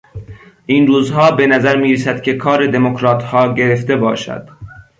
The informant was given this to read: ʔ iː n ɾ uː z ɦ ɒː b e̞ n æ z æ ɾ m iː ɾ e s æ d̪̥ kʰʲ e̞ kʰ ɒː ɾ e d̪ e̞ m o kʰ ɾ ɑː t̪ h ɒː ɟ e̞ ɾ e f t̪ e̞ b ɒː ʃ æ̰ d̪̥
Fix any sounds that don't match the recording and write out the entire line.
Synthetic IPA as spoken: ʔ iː n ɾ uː z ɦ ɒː b e̞ n æ z æ ɾ m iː ɾ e s æ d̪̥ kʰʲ e̞ kʰ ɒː ɾ e d̪ e̞ m o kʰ ɾ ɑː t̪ h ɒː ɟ e̞ ɾ e f t̪ e̞ b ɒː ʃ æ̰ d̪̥

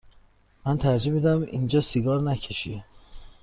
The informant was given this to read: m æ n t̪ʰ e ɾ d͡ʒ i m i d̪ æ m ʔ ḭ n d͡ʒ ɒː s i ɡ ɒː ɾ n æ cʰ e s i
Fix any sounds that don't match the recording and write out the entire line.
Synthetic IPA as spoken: m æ n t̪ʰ æ ɾ d͡ʒ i m i d̪ æ m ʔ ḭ n d͡ʒ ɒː s i ɡ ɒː ɾ n æ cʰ e ʃ i

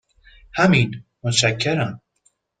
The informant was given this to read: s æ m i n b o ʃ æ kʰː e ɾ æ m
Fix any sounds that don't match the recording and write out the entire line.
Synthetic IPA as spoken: h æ m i n m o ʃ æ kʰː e ɾ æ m

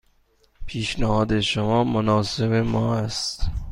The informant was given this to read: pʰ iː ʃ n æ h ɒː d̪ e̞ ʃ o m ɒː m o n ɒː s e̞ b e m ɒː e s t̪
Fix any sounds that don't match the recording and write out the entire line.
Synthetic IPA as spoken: pʰ iː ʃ n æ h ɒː d̪ e̞ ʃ o m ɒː m o n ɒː s e̞ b e m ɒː æ s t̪

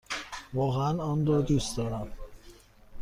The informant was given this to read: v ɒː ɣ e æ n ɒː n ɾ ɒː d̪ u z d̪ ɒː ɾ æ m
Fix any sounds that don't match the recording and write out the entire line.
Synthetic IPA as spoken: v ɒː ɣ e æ n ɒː n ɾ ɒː d̪ u s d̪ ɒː ɾ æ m

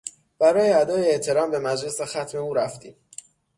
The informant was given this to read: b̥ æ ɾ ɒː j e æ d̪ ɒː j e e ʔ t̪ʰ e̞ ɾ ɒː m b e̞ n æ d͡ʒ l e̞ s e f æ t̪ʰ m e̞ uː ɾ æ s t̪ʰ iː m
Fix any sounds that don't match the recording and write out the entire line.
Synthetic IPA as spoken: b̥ æ ɾ ɒː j e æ d̪ ɒː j e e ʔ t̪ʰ e̞ ɾ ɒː m b e̞ m æ d͡ʒ l e̞ s e x æ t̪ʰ m e̞ uː ɾ æ f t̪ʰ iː m

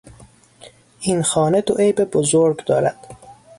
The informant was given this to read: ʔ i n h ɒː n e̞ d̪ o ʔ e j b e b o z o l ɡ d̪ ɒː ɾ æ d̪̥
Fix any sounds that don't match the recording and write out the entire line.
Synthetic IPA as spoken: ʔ i n x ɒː n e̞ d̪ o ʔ e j b e b o z o ɾ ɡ d̪ ɒː ɾ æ d̪̥

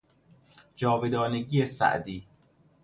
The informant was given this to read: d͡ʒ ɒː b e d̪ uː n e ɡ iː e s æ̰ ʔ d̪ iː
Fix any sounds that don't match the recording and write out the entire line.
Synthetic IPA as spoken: d͡ʒ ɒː v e d̪ ɒː n e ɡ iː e s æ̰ ʔ d̪ iː

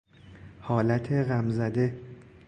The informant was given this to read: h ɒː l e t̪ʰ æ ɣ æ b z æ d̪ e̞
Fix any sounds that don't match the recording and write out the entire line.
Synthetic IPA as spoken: h ɒː l æ t̪ʰ e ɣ æ m z æ d̪ e̞

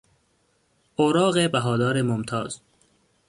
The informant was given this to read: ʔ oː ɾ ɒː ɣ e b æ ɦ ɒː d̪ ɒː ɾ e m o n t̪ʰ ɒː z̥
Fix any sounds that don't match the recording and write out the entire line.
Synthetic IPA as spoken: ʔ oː ɾ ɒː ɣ e b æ ɦ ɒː d̪ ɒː ɾ e m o m t̪ʰ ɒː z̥

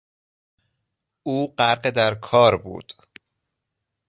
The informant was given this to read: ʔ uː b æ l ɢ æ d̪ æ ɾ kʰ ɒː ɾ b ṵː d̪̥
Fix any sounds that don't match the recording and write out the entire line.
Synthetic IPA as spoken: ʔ uː ɢ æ ɾ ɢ e d̪ æ ɾ kʰ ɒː ɾ b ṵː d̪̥

